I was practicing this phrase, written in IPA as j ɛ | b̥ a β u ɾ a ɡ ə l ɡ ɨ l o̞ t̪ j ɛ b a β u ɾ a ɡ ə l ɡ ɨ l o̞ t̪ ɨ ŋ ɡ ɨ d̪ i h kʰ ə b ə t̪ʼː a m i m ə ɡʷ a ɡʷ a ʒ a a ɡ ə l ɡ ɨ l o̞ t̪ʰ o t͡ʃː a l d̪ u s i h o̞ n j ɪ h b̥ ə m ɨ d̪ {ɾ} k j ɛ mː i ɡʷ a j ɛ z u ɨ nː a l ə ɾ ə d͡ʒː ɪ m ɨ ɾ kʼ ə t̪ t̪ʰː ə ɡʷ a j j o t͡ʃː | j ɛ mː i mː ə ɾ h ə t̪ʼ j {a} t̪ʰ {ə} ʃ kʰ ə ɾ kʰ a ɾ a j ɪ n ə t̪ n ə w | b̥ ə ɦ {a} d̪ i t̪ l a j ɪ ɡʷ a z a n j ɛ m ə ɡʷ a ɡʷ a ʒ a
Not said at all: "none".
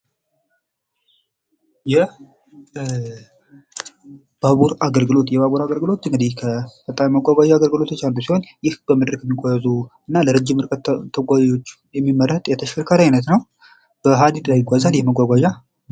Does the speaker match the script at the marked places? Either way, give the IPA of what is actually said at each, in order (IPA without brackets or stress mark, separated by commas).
ɾ, ɛ, ə, a